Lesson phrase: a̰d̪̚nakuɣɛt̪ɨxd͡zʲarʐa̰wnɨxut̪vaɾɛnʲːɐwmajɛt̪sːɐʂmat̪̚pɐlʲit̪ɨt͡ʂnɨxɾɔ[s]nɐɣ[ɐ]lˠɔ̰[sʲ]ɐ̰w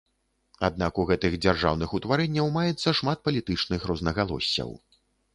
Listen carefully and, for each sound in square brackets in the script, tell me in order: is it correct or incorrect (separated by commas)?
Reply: incorrect, incorrect, incorrect